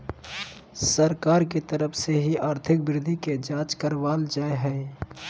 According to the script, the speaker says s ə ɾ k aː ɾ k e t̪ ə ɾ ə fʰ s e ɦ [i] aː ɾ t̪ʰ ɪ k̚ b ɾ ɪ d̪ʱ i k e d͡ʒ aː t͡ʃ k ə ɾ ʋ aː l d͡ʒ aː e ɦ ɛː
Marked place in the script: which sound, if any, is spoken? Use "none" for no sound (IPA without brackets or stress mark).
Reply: i